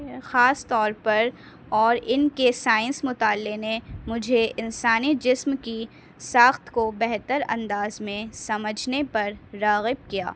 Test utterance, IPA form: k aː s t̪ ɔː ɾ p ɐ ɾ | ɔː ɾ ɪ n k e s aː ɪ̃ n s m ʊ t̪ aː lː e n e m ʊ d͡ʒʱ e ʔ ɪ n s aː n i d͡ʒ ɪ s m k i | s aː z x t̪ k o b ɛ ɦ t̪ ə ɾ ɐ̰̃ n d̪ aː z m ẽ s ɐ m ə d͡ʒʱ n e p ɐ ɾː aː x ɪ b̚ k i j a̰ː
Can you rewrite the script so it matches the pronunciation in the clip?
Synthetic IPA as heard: x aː s t̪ ɔː ɾ p ɐ ɾ | ɔː ɾ ɪ n k e s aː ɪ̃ n s m ʊ t̪ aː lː e n e m ʊ d͡ʒʱ e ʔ ɪ n s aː n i d͡ʒ ɪ s m k i | s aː x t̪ k o b ɛ ɦ t̪ ə ɾ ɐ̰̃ n d̪ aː z m ẽ s ɐ m ə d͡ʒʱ n e p ɐ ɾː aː ɣ ɪ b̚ k i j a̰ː